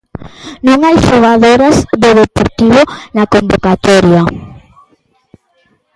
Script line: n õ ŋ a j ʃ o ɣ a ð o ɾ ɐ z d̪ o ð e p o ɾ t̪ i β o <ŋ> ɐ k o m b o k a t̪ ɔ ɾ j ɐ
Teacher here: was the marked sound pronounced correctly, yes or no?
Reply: no